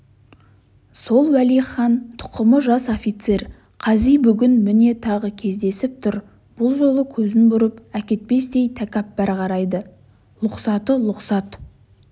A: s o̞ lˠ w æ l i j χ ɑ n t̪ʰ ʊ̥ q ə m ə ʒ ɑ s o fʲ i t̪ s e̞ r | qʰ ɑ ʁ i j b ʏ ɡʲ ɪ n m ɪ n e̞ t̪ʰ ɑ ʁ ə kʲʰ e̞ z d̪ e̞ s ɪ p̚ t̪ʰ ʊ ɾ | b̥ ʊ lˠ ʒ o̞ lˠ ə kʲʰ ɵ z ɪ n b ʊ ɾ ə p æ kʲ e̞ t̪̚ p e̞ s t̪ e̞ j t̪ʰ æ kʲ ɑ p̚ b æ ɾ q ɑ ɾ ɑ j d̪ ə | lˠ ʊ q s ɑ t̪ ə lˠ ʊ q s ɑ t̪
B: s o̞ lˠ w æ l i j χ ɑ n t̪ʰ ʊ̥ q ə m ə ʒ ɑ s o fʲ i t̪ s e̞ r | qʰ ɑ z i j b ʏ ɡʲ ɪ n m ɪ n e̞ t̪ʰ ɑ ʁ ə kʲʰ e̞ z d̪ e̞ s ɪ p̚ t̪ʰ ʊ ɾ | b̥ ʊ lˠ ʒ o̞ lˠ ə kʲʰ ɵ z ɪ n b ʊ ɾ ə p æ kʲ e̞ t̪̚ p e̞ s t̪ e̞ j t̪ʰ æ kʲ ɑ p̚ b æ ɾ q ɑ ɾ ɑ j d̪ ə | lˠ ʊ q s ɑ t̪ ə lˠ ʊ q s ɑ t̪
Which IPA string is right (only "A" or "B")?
B